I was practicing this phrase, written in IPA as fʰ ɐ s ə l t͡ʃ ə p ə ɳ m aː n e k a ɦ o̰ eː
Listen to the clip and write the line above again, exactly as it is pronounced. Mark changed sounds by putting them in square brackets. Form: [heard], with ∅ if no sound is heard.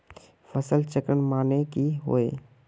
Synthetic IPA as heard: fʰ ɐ s ə l t͡ʃ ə [k] ə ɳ m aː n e k [i] ɦ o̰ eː